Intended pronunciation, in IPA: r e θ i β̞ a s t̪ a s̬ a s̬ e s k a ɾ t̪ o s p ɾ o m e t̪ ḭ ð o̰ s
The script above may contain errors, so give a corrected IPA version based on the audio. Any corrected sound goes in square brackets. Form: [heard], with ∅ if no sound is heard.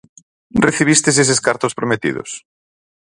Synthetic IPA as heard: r e θ i β̞ [i] s t̪ [e] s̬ [e] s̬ e s k a ɾ t̪ o s p ɾ o m e t̪ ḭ ð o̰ s